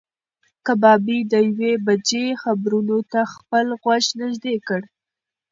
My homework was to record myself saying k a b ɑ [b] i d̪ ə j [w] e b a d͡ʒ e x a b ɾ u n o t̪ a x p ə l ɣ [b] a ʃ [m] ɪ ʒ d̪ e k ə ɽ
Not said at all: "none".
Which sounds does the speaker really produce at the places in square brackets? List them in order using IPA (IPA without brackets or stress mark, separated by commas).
b, w, w, n